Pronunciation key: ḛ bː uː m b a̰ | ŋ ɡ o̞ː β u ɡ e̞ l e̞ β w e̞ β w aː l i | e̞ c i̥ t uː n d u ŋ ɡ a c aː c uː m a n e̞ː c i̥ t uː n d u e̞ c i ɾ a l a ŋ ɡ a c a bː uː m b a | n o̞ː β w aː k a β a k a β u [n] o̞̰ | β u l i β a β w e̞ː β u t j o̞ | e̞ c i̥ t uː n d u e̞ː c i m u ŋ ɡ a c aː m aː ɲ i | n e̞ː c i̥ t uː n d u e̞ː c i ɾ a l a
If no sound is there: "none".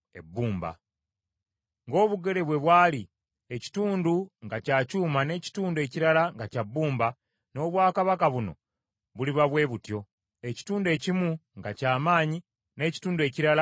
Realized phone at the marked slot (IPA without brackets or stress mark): n